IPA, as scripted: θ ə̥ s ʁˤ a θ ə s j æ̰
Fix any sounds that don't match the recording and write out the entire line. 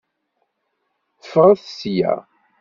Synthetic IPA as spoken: θ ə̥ f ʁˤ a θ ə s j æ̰